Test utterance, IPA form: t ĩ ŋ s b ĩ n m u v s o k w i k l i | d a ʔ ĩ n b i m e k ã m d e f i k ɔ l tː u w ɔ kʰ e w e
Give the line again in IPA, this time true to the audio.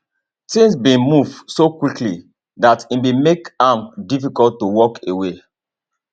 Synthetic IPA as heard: t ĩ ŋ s b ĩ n m u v s o k w i k l i | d a t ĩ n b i m e k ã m d i f i k ɔ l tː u w ɔ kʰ e w e